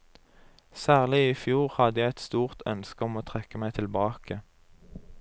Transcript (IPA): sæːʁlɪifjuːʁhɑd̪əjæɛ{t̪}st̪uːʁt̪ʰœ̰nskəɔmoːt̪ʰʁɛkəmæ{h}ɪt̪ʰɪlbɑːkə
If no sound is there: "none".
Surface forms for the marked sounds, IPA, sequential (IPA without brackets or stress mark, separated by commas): t̪, none